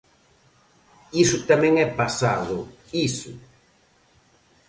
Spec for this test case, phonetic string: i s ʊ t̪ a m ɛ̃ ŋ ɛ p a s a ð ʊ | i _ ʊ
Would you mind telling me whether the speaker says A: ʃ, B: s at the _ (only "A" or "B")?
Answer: B